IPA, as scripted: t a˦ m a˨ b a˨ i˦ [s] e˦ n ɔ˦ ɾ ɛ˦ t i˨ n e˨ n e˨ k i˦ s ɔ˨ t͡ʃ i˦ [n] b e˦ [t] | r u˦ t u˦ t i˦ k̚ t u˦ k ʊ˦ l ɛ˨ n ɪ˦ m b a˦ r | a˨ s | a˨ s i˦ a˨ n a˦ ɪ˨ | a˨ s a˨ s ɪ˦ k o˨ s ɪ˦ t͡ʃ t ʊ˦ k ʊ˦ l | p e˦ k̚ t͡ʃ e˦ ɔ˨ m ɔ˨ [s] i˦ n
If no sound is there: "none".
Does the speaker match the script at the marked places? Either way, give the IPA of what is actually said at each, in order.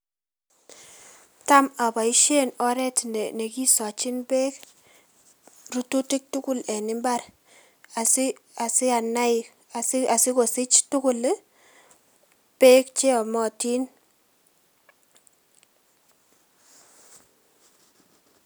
ʃ, n, k, t

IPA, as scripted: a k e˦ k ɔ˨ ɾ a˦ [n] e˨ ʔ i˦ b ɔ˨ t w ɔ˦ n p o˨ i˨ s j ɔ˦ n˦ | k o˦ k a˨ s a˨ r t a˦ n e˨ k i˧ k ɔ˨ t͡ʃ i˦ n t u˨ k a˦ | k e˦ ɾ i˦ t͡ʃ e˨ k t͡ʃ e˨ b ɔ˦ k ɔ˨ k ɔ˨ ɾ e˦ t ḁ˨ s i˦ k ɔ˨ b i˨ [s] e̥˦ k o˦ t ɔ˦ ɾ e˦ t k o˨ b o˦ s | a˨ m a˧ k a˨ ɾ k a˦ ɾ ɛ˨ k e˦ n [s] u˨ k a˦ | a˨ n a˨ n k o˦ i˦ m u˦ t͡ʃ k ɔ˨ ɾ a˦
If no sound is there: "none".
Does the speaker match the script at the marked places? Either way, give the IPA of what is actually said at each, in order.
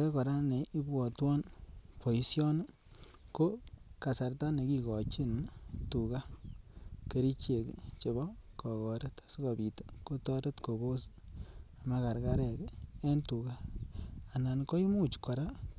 n, t, t

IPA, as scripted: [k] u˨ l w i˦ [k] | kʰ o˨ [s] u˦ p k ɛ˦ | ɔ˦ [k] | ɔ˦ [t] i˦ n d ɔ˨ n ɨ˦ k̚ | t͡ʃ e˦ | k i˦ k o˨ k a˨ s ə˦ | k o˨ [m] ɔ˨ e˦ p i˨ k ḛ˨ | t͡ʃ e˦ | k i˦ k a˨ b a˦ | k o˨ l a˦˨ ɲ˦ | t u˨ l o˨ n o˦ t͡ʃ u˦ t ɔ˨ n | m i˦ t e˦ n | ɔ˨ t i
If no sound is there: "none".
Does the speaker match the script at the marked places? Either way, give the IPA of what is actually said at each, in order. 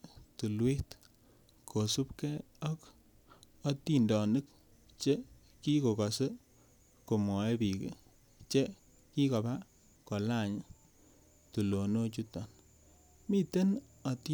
t, t, s, k, t, m

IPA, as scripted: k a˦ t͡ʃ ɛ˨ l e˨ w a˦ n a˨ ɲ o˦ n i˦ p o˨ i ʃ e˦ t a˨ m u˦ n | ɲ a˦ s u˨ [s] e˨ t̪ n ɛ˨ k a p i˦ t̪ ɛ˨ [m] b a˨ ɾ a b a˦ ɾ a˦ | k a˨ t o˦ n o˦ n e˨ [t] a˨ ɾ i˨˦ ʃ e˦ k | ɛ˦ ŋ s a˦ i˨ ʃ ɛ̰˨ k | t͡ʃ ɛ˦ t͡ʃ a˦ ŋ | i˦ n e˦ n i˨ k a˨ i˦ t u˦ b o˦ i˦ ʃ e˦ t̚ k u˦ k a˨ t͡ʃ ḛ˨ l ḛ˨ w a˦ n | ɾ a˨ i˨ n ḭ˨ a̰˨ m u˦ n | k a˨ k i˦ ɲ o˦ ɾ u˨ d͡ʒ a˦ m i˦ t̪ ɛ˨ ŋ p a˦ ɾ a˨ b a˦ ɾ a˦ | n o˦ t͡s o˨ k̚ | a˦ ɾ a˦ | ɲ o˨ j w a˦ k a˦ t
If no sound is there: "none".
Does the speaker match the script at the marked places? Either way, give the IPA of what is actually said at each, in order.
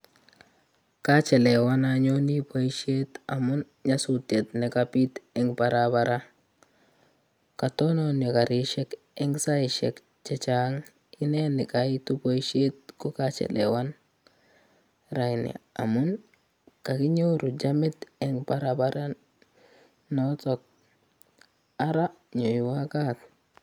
t, ŋ, k

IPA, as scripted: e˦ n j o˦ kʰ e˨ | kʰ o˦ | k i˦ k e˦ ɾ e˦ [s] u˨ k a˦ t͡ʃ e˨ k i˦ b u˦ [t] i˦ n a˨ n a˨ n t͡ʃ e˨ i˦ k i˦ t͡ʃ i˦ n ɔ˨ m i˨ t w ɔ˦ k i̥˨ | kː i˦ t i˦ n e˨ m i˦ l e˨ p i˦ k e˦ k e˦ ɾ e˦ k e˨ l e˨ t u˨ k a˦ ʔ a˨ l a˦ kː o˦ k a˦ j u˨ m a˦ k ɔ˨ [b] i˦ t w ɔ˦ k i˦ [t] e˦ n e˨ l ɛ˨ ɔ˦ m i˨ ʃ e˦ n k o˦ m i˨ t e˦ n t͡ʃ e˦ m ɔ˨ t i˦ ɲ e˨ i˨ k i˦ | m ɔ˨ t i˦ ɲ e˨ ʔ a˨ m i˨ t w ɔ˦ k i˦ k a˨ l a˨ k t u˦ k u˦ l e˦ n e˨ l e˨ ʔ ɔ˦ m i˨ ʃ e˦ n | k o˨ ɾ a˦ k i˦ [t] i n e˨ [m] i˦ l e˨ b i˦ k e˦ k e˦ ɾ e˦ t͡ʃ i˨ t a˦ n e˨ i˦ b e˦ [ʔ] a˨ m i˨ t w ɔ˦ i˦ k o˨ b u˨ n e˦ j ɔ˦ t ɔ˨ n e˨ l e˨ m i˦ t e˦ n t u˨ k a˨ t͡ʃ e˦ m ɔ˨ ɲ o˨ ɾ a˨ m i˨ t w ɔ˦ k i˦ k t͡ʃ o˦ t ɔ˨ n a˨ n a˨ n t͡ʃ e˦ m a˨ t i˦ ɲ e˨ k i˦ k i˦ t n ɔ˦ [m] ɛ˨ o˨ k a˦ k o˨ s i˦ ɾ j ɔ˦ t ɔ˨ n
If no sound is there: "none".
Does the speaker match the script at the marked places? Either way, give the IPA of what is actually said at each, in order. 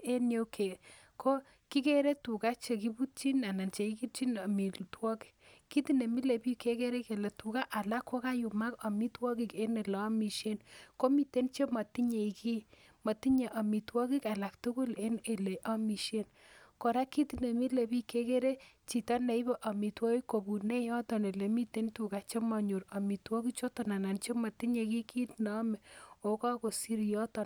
t, t͡ʃ, m, k, t, m, ʔ, m

